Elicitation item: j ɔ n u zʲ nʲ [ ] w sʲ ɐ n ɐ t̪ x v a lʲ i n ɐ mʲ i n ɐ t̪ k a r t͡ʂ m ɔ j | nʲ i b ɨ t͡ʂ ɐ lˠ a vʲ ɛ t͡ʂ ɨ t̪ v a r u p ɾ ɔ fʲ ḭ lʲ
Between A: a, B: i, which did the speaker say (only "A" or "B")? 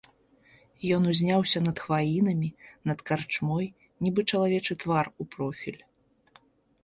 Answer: A